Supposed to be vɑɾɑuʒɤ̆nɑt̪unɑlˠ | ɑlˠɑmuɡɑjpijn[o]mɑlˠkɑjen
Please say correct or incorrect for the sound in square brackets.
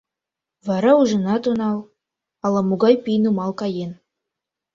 incorrect